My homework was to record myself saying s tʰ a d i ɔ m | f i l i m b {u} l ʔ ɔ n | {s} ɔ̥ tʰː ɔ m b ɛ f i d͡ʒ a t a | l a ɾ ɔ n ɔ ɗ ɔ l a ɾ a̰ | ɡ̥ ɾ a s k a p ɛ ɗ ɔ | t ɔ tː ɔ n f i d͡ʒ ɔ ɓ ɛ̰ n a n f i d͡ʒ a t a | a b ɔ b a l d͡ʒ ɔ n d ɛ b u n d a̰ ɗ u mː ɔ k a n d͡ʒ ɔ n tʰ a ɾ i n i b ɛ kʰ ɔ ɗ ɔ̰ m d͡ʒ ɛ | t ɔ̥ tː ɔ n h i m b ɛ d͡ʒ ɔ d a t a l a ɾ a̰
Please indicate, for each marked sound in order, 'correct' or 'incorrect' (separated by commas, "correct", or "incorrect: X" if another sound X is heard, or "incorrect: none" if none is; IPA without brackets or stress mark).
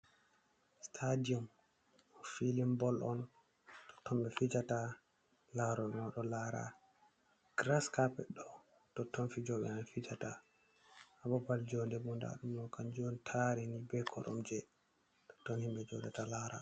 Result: incorrect: ɔ, incorrect: t